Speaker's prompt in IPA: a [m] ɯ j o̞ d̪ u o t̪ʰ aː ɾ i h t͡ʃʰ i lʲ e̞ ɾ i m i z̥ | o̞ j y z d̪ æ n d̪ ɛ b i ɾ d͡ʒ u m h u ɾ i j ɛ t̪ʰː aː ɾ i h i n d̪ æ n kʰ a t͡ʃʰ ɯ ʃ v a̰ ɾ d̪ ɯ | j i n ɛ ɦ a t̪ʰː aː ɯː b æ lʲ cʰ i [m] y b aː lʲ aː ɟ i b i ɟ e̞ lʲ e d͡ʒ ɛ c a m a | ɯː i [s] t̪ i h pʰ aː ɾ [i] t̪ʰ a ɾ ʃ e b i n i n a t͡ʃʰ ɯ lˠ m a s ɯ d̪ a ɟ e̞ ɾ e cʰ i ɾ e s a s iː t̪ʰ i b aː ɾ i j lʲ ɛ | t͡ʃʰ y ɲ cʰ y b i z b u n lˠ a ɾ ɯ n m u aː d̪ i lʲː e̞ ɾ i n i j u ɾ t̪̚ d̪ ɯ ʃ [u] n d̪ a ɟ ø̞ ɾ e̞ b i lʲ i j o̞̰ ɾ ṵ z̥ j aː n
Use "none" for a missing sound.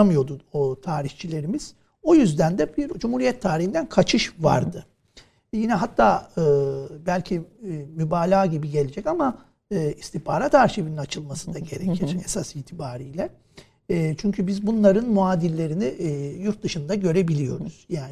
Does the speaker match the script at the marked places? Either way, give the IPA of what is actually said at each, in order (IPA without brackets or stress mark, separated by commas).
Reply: m, m, s, a, ɯ